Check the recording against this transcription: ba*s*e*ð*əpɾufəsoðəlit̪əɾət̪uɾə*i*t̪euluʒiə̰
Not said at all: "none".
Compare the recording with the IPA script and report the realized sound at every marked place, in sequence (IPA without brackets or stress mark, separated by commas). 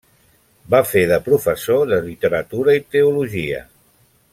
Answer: f, ð, i